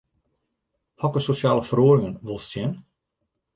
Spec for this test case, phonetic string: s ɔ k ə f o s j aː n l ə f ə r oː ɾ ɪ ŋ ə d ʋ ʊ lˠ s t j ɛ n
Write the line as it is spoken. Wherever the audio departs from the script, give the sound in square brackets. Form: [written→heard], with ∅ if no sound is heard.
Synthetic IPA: [s→h] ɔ k ə [f→s] o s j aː [n→∅] l ə f ə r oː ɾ ɪ ŋ ə [d→n] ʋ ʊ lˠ s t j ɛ n